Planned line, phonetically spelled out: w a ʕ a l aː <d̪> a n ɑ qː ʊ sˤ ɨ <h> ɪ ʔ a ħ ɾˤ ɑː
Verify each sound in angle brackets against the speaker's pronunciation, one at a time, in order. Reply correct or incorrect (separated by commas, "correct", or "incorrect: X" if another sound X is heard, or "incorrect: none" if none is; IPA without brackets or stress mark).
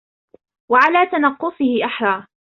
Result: incorrect: t̪, correct